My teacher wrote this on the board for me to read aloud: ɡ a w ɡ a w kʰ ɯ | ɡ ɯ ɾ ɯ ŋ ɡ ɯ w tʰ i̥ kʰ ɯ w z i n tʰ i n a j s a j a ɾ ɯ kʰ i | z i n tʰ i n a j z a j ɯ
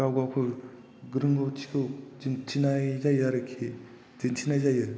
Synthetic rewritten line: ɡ a w ɡ a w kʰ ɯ | ɡ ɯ ɾ ɯ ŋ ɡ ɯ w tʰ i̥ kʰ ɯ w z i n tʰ i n a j z a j a ɾ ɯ kʰ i | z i n tʰ i n a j z a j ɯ